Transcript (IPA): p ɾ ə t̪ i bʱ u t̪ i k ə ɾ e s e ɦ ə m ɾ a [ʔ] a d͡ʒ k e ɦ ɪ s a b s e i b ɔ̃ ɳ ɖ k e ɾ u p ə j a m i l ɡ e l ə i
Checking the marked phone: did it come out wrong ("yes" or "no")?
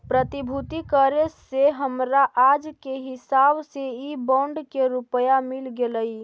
no